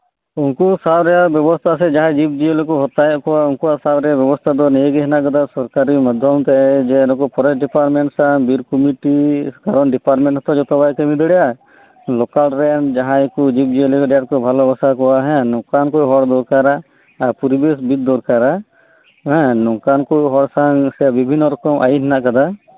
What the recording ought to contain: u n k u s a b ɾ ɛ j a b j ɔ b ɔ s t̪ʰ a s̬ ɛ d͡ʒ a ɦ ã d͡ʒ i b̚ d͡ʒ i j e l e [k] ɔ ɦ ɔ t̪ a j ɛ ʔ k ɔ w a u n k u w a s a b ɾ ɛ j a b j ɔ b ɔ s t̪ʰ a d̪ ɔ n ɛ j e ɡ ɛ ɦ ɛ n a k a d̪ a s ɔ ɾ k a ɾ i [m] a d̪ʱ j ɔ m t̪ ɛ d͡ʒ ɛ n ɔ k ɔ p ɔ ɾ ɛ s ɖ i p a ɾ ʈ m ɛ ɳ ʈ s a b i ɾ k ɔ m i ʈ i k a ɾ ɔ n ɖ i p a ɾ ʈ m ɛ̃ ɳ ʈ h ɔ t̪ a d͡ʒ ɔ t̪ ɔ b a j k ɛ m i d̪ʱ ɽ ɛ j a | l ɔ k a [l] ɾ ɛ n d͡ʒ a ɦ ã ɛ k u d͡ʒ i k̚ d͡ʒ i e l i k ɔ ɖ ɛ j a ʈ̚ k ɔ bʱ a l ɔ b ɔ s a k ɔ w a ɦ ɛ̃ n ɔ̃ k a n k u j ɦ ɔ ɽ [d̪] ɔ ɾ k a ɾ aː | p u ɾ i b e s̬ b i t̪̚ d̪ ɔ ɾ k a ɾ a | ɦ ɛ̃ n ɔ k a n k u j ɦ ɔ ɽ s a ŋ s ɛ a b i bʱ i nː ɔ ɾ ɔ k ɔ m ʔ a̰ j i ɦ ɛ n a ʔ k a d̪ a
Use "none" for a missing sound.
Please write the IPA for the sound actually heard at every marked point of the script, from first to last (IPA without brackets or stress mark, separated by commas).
k, m, l, d̪